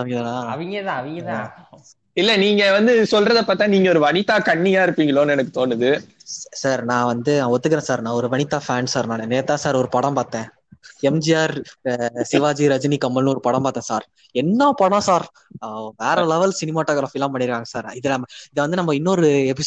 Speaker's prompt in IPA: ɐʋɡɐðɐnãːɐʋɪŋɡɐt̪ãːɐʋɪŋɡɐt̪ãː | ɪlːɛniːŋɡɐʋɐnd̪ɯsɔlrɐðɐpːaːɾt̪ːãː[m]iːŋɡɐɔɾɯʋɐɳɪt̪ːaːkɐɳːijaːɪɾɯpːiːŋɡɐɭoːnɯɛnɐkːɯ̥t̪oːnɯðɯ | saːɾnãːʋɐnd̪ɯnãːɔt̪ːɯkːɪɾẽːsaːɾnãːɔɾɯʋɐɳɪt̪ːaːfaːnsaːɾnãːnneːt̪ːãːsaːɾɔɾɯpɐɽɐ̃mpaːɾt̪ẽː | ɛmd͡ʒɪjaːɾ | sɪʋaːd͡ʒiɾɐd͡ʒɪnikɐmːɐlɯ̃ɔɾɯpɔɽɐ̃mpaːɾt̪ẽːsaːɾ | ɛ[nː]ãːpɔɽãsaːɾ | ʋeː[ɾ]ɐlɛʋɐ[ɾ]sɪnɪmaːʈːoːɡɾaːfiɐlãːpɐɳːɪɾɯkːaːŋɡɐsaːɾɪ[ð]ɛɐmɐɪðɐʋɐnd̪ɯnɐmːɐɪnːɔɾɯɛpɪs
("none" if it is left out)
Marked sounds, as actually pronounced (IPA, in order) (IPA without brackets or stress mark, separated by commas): n, nː, ɾ, l, ð